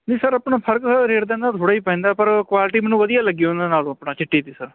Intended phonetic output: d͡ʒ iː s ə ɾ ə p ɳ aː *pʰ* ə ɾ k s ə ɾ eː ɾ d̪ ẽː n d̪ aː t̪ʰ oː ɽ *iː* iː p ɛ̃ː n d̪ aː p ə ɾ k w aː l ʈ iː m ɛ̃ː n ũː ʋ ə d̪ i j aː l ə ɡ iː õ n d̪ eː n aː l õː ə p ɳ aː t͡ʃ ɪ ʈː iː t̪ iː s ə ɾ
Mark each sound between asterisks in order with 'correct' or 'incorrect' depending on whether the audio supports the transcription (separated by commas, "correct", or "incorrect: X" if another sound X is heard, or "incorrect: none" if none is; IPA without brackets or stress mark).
correct, incorrect: aː